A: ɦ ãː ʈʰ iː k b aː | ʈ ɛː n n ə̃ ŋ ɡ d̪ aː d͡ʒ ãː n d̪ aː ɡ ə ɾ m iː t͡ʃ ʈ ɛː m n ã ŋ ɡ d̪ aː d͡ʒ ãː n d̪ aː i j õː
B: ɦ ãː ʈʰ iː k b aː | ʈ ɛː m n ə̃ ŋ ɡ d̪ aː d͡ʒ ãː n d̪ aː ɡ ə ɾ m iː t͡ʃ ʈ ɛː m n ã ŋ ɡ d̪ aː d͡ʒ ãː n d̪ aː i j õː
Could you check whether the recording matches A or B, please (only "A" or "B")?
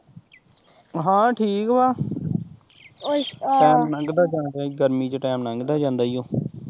B